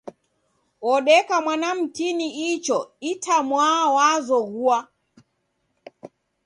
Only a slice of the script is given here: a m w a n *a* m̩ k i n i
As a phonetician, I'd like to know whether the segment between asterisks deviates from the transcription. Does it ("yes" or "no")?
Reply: no